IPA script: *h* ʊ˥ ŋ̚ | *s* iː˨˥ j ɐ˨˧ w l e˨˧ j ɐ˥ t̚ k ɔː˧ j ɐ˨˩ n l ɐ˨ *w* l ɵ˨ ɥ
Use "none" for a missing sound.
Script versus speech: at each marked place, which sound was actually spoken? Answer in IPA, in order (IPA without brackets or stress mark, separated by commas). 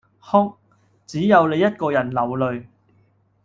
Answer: h, t͡s, w